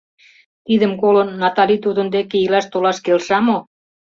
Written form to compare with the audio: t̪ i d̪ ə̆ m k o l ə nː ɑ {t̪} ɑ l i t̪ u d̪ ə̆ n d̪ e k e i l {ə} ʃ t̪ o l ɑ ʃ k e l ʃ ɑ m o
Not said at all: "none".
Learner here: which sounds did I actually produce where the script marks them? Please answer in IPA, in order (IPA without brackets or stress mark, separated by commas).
t̪, ɑ